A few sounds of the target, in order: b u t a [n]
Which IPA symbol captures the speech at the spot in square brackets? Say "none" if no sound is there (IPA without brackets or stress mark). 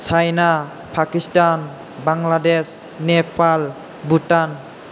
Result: n